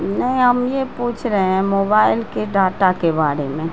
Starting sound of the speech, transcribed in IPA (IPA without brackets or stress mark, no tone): n